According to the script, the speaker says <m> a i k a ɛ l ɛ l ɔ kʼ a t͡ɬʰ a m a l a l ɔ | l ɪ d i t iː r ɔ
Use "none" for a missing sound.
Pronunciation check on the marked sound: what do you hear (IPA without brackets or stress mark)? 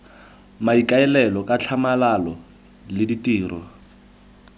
m